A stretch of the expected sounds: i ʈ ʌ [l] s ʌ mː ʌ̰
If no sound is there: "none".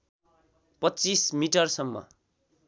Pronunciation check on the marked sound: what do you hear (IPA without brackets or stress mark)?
r